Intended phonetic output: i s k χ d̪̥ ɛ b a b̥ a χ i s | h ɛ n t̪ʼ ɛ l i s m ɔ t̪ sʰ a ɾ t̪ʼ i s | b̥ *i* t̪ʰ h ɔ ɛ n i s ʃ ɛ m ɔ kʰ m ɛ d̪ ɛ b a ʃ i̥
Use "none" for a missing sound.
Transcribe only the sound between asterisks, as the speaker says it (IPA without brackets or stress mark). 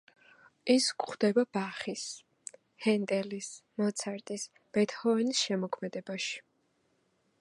ɛ